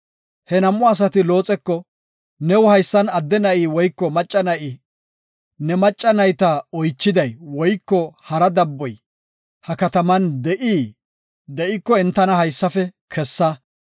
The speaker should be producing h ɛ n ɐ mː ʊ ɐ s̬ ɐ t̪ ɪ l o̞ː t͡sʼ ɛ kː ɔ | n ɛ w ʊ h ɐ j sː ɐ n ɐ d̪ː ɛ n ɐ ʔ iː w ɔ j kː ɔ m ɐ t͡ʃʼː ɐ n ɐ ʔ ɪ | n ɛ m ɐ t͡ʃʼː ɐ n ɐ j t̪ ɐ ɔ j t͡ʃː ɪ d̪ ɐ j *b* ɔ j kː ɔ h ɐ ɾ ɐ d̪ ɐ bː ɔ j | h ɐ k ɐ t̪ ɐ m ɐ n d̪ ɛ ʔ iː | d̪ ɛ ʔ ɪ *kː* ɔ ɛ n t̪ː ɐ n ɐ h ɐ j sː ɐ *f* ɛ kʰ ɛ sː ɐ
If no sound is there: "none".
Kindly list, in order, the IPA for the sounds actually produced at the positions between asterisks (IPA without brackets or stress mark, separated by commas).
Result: w, kː, f